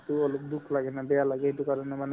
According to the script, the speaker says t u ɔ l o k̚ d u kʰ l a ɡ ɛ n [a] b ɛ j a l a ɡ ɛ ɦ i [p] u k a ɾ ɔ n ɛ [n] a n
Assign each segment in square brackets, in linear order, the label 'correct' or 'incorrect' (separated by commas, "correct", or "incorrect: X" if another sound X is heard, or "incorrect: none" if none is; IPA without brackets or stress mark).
correct, incorrect: t, incorrect: m